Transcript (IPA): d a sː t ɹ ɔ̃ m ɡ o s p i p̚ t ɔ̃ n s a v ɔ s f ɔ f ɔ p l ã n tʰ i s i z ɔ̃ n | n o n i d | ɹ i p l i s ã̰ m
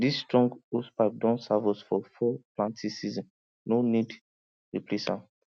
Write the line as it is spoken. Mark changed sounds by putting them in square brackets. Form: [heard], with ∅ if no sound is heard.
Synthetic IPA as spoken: d [i] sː t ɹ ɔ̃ [ŋ] ɡ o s p [a] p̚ [d] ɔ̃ n s a v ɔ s f ɔ f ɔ p l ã n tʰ i s i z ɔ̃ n | n o n i d | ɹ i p l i s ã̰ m